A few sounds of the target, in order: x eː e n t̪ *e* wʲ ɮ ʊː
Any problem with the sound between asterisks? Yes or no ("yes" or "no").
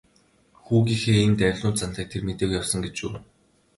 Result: yes